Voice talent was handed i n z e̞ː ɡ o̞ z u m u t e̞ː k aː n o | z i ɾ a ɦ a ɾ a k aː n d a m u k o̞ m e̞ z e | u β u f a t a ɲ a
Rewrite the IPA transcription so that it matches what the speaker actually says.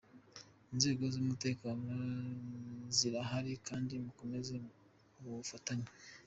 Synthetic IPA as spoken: i n z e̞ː ɡ o̞ z u m u t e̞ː k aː n o | z i ɾ a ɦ a ɾ i k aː n d i m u k o̞ m e̞ z e | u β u f a t a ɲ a

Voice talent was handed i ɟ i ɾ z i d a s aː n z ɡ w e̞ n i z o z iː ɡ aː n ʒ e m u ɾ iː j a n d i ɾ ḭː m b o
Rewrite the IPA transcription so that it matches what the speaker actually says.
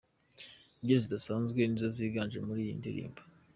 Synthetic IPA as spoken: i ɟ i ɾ z i d a s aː n z ɡ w e̞ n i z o z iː ɡ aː n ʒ e m u ɾ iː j i n d i ɾ ḭː m b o

